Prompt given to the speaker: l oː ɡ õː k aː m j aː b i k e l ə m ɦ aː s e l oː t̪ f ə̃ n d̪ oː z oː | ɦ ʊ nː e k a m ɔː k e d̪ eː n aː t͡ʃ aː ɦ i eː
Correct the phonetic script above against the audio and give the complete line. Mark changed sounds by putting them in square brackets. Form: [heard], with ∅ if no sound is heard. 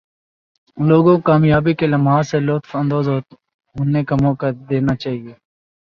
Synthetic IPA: l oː ɡ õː k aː m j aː b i k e l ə m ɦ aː s e l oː t̪ f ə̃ n d̪ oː z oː | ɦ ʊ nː e k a m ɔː k [a] d̪ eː n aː t͡ʃ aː ɦ i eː